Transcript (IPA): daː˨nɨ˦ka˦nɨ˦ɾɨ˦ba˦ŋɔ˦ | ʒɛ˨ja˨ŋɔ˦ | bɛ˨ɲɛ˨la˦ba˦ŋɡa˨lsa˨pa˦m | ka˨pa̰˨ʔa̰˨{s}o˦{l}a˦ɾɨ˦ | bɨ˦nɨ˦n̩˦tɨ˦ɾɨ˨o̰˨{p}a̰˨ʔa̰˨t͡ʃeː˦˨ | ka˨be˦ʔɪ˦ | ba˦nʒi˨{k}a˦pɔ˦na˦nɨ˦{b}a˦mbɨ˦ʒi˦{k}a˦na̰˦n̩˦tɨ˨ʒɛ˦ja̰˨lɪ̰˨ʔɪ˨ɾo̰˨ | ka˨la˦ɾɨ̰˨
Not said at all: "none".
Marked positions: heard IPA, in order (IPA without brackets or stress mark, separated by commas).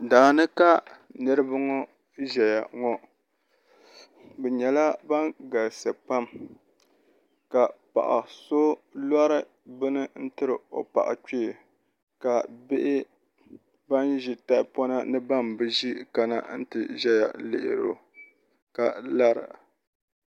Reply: s, l, p, t, b, k